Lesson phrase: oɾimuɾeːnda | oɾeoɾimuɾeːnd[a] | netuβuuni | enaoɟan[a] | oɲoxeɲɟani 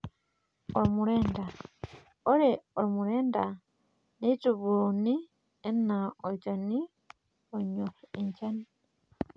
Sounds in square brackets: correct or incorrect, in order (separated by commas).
correct, incorrect